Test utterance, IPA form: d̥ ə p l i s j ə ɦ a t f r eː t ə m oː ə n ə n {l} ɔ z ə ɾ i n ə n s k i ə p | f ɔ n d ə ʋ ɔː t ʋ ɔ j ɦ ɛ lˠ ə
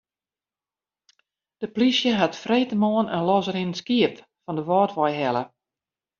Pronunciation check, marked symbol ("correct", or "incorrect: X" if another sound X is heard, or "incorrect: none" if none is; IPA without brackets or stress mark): correct